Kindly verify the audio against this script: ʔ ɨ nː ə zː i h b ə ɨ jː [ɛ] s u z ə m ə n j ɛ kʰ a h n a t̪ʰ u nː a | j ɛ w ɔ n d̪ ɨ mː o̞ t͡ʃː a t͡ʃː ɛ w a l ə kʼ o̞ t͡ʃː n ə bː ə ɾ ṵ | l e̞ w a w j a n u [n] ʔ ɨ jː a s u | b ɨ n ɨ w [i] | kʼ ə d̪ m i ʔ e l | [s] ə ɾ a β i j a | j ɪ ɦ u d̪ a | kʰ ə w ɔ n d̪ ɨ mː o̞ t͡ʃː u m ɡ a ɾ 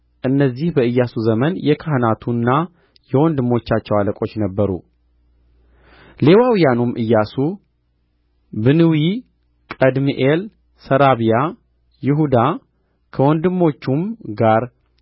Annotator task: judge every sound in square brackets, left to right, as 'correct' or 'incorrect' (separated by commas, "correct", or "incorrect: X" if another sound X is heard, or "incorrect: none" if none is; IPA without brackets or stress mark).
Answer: incorrect: a, incorrect: m, correct, correct